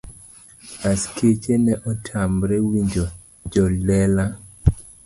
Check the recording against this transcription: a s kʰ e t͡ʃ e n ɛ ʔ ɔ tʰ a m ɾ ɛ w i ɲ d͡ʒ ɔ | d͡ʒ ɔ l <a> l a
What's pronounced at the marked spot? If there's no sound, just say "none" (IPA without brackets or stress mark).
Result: ɛ